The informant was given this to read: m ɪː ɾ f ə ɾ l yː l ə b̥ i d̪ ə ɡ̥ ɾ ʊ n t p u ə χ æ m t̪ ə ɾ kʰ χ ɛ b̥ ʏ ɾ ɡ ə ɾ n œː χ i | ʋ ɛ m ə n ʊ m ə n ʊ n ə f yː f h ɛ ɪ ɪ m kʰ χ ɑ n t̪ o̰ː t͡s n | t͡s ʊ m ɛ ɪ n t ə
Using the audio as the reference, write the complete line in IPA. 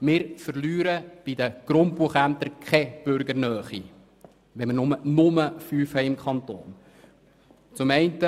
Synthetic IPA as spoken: m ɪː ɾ f ə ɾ l yː ɾ ə b̥ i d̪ ə ɡ̥ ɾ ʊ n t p u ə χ æ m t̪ ə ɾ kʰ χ ɛ b̥ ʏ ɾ ɡ ə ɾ n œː χ i | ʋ ɛ m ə n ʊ m ə n ʊ m ə f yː f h ɛ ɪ ɪ m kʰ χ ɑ n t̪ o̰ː n | t͡s ʊ m ɛ ɪ n t ə